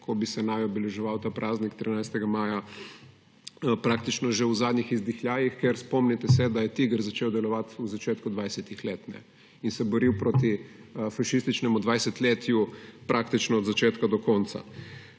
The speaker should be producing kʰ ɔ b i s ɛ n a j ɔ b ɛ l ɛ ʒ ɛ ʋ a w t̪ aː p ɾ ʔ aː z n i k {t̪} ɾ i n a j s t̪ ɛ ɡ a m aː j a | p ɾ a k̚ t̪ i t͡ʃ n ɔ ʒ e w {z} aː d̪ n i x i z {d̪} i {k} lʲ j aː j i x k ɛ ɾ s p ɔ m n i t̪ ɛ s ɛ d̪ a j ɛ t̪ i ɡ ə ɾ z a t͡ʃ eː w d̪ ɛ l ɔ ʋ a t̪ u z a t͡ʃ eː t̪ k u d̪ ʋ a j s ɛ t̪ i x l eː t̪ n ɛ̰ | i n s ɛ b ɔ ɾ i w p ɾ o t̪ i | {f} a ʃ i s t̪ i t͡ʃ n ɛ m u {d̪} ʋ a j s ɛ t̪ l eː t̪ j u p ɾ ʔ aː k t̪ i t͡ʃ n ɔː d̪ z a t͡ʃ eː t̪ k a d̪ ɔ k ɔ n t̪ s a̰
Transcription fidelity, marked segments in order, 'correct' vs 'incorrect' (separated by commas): correct, correct, correct, incorrect, correct, correct